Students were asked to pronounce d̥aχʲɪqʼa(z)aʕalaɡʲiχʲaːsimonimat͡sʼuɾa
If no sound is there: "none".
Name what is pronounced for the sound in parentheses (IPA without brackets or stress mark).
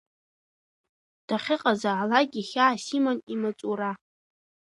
z